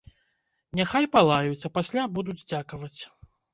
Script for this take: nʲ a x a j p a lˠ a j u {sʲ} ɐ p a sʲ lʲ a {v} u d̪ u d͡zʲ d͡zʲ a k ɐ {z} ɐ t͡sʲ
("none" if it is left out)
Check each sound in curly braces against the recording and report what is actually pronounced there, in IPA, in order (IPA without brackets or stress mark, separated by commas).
t͡sʲ, b, v